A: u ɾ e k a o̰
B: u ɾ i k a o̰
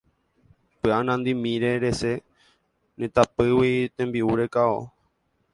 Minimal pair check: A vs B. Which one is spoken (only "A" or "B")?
A